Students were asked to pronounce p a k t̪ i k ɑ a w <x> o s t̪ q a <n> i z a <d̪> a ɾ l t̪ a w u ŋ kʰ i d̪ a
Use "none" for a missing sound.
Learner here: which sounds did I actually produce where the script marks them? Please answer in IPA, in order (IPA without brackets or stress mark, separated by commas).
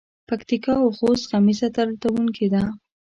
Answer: x, m, t̪